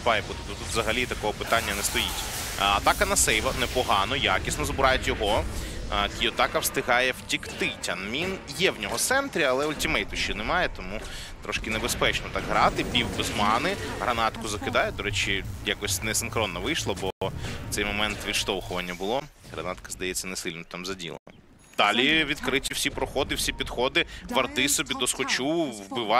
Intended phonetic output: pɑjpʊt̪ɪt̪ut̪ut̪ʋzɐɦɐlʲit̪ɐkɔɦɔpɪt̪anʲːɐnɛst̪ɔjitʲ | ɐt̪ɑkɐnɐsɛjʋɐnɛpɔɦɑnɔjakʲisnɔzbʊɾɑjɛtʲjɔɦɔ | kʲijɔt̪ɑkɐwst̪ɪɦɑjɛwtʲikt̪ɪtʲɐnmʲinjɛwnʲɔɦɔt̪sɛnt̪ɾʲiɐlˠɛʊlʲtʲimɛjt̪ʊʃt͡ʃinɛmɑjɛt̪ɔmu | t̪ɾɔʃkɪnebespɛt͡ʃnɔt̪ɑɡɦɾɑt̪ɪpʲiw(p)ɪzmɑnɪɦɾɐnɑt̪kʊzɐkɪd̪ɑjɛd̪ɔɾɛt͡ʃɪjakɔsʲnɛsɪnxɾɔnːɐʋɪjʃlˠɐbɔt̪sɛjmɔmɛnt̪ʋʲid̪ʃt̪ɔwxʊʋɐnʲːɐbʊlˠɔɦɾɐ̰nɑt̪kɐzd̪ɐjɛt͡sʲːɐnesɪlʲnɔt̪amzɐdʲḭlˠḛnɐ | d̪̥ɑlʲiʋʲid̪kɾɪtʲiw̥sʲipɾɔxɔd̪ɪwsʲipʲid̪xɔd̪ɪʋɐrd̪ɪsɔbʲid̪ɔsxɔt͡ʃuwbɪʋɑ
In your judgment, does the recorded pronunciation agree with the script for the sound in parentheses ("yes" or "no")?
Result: no